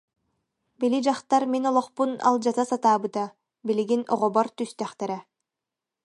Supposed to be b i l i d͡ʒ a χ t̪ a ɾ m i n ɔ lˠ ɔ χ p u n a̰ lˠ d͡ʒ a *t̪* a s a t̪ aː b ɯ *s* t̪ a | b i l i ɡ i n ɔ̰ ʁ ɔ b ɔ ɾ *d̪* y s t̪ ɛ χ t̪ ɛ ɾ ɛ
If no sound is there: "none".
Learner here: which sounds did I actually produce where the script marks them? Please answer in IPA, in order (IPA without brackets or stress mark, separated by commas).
t̪, none, t̪